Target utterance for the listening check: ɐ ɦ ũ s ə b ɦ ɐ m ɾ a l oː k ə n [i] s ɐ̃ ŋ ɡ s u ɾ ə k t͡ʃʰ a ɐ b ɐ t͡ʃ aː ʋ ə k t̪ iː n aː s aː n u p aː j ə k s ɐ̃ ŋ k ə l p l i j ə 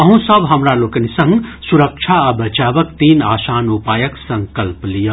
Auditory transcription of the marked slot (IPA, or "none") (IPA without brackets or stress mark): i